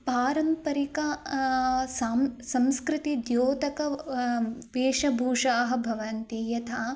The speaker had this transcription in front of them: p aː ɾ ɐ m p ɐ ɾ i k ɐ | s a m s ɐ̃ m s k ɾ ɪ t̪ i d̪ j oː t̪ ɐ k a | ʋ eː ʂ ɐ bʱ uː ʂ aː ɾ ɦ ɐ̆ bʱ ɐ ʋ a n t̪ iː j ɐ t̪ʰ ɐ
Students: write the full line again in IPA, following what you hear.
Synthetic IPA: p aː ɾ ɐ m p ɐ ɾ i k ɐ | s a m s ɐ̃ m s k ɾ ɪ t̪ i d̪ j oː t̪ ɐ k ɐ | ʋ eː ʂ ɐ bʱ uː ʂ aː ɦ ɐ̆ bʱ ɐ ʋ ɐ n t̪ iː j ɐ t̪ʰ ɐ

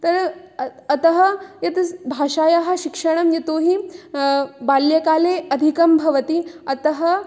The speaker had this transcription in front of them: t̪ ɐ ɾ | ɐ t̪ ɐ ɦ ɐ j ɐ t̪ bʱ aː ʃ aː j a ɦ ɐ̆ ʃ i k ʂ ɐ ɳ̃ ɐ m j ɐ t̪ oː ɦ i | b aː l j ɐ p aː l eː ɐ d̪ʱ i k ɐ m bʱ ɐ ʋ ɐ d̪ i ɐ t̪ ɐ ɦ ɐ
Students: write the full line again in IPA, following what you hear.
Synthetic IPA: t̪ ɐ ɾ | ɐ t̪ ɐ ɦ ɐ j ɐ t̪ bʱ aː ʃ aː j a ɦ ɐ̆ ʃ i k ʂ ɐ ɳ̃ ɐ m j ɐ t̪ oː ɦ i | b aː l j ɐ k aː l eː ɐ d̪ʱ i k ɐ m bʱ ɐ ʋ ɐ t̪ i ɐ t̪ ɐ ɦ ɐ

